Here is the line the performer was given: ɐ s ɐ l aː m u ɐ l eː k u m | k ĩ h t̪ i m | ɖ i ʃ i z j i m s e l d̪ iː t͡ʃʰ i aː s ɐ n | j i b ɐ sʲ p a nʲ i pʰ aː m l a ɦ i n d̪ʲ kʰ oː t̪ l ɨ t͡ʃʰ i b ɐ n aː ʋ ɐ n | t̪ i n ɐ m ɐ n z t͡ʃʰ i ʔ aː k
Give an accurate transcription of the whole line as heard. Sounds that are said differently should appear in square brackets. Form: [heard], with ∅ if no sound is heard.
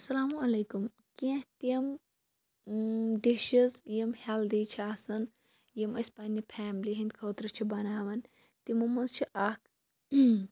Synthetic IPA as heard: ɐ s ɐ l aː m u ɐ l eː k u m | k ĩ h t̪ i m | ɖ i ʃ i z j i m [h] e l d̪ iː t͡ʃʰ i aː s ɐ n | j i [m] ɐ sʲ p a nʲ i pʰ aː m l [i] ɦ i n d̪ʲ kʰ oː t̪ [ɾ] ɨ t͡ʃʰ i b ɐ n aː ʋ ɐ n | t̪ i [m] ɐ m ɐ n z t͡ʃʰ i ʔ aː k